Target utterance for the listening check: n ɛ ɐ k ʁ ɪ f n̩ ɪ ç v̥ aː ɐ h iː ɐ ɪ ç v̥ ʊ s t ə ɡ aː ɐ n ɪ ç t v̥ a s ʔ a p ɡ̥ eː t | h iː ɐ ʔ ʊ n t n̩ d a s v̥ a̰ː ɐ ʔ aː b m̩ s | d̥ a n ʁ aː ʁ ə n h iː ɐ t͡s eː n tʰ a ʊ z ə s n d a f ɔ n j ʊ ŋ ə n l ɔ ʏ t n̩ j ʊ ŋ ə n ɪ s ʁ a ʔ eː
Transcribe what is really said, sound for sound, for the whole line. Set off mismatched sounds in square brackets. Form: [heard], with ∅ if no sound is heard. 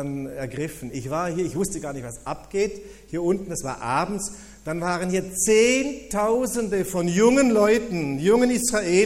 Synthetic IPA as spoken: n ɛ ɐ [ɡ] ʁ ɪ f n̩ ɪ ç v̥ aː ɐ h iː ɐ ɪ ç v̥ ʊ s t ə ɡ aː ɐ n ɪ ç t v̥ a s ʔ a p ɡ̥ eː t | h iː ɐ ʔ ʊ n t n̩ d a s v̥ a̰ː ɐ ʔ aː b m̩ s | d̥ a n [v] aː ʁ ə n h iː ɐ t͡s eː n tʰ a ʊ z ə [∅] n d [ə] f ɔ n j ʊ ŋ ə n l ɔ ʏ t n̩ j ʊ ŋ ə n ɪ s ʁ a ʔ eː